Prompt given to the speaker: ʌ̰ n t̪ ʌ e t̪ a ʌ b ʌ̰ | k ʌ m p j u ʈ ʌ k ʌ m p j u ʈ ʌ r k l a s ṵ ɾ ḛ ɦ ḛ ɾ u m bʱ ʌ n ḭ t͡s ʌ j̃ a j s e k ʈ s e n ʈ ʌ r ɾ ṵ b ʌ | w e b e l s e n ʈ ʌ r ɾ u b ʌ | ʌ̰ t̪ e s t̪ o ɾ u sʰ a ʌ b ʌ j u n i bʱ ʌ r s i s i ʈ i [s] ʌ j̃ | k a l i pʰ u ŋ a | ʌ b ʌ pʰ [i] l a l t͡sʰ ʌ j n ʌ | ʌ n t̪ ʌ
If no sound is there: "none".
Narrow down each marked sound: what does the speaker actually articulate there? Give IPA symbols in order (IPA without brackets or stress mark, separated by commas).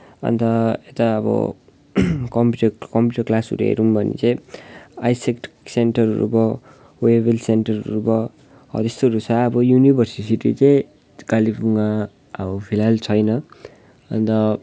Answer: t͡s, i